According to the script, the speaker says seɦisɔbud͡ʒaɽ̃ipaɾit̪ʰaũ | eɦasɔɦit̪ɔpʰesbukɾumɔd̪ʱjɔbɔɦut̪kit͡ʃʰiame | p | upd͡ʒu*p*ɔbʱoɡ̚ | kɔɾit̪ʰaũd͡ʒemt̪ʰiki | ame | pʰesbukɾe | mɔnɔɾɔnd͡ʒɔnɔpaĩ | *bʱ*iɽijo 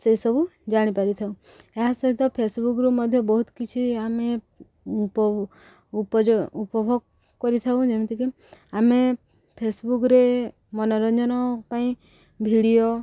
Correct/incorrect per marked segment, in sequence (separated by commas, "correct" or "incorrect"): correct, correct